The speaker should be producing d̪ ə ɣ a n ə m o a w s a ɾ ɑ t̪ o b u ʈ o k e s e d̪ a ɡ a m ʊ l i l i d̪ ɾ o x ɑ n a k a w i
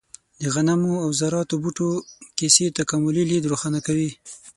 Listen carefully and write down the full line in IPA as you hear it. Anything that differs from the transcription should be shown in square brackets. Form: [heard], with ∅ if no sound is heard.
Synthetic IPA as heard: d̪ ə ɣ a n [a] m o a w [z] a ɾ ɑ t̪ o b u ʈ o k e s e [t̪] a [k] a m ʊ l i l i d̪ ɾ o x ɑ n a k a w i